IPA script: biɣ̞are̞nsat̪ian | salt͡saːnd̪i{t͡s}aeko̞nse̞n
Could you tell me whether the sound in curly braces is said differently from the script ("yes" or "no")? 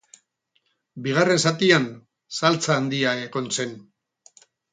yes